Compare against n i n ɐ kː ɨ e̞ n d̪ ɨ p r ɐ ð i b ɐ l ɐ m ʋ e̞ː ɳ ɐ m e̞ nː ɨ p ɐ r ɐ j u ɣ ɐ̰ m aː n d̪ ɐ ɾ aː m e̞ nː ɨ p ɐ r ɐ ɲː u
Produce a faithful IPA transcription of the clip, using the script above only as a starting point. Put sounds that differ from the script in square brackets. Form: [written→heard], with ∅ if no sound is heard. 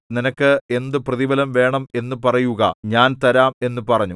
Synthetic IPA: n i n ɐ kː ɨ e̞ n d̪ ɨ p r ɐ ð i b ɐ l ɐ m ʋ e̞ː ɳ ɐ m e̞ nː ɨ p ɐ r ɐ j u ɣ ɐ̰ [m→ɲ] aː n [d̪→t̪] ɐ ɾ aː m e̞ nː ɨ p ɐ r ɐ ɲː u